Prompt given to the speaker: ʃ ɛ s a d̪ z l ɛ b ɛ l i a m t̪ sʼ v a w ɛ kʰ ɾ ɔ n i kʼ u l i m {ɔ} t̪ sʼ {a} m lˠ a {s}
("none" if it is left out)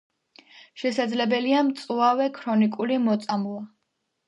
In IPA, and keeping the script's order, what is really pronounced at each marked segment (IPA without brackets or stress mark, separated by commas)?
ɔ, a, none